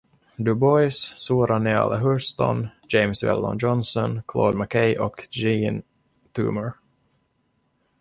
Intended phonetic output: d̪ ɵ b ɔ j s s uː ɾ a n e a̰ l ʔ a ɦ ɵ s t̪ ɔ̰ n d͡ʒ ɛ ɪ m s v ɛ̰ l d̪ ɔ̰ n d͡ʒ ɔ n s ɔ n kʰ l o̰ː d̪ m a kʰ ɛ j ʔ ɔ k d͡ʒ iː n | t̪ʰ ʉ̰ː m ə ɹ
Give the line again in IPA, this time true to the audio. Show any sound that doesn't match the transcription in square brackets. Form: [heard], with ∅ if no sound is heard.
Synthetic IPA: d̪ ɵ b ɔ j s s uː ɾ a n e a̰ l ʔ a ɦ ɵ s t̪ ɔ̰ n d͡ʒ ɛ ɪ m s v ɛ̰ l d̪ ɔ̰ n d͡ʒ ɔ n s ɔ n kʰ l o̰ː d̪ m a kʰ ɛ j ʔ ɔ k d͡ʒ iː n | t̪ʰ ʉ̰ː m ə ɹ